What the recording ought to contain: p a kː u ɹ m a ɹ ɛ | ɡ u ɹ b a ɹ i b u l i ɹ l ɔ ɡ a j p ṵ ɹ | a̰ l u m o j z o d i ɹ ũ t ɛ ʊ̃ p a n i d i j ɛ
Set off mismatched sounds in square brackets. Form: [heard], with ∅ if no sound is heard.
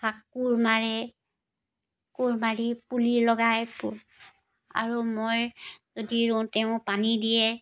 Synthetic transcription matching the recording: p a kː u ɹ m a ɹ ɛ | [k] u ɹ [m] a ɹ i [p] u l i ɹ l ɔ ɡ a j p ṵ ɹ | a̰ [ɹ] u m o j z o d i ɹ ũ t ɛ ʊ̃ p a n i d i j ɛ